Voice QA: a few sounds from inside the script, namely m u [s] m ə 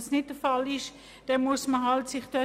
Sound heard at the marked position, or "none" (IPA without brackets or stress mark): s